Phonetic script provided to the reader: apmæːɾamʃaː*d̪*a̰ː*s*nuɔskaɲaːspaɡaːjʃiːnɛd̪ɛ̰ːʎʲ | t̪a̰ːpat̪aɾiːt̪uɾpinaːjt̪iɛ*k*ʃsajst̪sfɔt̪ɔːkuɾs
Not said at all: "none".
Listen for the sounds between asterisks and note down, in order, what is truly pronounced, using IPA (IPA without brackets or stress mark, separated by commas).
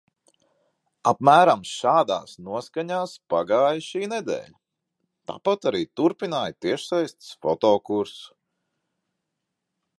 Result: d̪, s, none